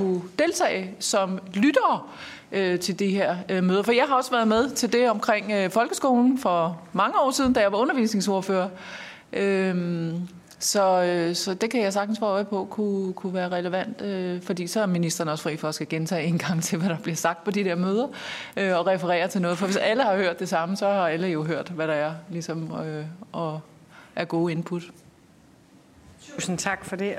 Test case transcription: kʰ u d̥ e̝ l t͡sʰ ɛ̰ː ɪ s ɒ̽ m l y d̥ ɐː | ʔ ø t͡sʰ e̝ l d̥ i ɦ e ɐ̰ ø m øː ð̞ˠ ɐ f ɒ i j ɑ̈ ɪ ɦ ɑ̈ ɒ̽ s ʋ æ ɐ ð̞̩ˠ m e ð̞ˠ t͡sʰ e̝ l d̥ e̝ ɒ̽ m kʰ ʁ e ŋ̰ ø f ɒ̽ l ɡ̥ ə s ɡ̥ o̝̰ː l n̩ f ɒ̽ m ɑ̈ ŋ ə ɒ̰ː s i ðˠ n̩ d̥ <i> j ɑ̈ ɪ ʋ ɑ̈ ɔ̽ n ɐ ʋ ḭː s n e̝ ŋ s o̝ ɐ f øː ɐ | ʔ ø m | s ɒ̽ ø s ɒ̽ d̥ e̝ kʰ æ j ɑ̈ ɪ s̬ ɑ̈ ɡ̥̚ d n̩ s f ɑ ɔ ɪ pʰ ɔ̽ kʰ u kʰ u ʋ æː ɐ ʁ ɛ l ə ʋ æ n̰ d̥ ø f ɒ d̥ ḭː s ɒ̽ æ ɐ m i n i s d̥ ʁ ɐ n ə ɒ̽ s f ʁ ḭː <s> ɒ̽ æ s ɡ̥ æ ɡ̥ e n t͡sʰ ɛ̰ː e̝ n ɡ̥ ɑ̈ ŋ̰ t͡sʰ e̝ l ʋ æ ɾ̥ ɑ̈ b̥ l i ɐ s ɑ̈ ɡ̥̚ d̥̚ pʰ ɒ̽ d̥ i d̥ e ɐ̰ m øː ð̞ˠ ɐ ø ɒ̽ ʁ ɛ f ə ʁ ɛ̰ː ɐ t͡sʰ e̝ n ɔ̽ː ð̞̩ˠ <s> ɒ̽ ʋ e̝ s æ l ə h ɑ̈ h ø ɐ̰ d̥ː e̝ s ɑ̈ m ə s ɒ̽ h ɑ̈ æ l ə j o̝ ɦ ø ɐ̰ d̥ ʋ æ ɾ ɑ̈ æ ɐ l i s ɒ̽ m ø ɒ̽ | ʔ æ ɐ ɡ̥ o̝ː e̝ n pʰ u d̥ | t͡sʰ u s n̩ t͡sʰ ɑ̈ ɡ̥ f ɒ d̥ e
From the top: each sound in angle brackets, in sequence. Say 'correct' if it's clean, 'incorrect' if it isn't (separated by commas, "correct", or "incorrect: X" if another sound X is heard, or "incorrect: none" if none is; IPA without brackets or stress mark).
incorrect: æ, incorrect: f, incorrect: f